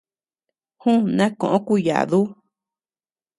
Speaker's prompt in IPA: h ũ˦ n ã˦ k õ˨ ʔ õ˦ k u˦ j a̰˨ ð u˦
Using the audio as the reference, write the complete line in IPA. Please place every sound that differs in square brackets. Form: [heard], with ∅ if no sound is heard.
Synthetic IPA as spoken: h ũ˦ n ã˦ k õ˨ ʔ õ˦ k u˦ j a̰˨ ð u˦